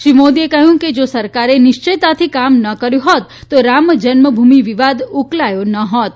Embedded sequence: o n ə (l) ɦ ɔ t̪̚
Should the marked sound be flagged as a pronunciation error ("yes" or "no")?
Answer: yes